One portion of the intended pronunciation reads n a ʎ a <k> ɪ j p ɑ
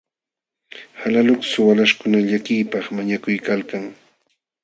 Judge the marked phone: correct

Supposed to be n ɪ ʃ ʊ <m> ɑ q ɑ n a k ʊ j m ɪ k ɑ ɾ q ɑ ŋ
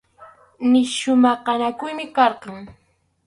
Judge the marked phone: correct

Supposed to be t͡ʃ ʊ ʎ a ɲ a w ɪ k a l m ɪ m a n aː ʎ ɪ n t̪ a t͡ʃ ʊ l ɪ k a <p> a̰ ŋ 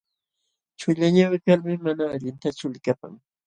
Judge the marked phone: correct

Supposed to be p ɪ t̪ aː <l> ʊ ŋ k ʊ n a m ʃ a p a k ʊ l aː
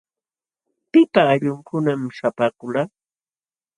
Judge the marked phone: incorrect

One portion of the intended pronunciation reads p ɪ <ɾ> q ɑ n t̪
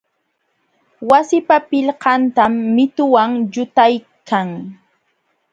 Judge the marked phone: incorrect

